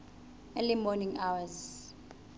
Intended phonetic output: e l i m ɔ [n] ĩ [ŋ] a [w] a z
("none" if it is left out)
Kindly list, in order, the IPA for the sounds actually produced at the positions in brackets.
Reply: n, ŋ, w

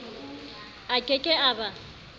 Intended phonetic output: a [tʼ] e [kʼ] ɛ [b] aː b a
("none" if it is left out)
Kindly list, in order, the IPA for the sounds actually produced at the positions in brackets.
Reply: kʼ, kʼ, none

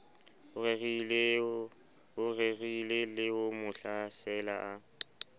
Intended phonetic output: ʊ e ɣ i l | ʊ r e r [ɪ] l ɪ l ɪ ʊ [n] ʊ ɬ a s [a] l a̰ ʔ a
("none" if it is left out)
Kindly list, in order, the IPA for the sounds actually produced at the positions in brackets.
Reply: i, m, ɛ

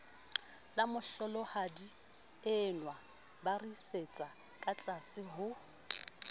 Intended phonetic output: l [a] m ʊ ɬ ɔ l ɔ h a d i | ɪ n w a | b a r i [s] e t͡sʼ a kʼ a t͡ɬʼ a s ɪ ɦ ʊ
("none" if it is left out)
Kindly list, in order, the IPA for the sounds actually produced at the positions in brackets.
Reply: a, s

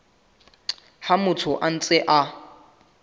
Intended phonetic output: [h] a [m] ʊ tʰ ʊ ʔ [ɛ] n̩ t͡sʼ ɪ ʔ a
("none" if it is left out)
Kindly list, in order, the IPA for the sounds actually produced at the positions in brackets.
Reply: h, m, a

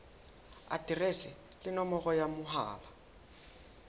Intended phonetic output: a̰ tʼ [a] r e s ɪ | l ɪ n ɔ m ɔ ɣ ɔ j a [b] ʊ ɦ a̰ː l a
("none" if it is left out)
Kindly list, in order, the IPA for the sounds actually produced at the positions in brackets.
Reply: i, m

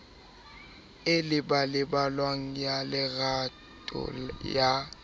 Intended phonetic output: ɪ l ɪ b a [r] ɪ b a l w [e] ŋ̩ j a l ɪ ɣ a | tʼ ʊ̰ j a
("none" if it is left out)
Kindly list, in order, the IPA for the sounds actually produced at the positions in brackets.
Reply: l, a

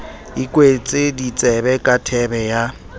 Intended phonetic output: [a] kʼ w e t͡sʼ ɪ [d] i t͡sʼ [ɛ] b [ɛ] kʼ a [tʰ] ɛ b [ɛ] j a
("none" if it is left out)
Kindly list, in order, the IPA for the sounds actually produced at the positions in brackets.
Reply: i, d, ɛ, ɛ, tʰ, ɛ

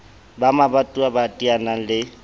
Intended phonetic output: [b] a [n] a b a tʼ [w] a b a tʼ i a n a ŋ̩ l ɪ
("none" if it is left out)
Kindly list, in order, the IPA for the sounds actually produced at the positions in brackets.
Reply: b, m, u

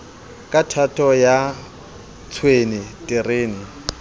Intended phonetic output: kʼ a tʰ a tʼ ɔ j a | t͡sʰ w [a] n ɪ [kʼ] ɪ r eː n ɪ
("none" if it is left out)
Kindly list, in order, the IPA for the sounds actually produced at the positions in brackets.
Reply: e, tʼ

